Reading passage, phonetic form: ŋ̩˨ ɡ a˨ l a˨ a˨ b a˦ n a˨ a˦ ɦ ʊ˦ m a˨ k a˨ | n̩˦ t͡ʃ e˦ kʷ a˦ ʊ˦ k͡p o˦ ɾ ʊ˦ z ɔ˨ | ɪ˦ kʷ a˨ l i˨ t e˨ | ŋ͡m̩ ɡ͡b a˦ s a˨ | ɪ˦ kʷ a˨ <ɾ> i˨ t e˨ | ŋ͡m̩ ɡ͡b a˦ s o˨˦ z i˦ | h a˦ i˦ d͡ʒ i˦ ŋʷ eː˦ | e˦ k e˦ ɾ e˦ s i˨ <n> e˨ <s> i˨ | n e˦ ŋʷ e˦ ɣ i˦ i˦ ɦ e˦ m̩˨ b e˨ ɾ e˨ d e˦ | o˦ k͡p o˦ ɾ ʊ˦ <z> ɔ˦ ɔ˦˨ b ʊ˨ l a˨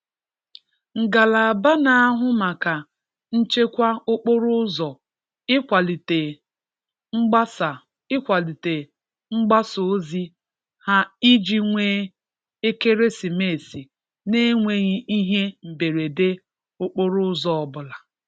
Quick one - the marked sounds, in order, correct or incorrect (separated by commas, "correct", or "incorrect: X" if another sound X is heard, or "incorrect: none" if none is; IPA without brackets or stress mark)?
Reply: incorrect: l, incorrect: m, correct, correct